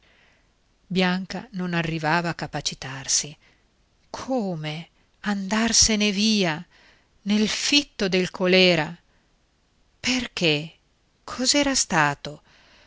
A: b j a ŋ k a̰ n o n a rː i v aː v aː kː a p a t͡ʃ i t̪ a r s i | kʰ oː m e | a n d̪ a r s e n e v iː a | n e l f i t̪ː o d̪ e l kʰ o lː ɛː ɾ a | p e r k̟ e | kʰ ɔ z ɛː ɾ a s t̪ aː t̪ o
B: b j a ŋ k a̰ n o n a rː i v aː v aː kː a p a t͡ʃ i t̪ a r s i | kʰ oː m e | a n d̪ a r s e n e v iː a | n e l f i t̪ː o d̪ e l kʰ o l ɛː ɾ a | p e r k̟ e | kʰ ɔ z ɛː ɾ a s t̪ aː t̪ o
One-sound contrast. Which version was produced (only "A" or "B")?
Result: B